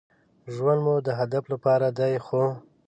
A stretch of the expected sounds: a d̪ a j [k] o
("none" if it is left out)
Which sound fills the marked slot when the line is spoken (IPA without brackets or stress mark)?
x